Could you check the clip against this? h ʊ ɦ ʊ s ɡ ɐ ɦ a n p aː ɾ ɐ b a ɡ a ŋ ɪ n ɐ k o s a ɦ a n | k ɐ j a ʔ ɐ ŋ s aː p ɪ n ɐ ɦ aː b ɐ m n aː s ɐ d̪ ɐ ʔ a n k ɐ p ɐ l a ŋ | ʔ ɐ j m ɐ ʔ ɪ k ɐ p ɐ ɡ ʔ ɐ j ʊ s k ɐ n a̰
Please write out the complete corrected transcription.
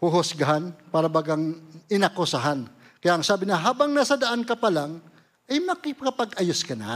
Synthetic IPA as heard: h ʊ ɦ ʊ s ɡ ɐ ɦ a n p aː ɾ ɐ b a ɡ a ŋ ɪ n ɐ k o s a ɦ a n | k ɐ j a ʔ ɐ ŋ s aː b ɪ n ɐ ɦ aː b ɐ ŋ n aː s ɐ d̪ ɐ ʔ a n k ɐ p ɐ l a ŋ | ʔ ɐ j m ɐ k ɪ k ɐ p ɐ ɡ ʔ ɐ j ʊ s k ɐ n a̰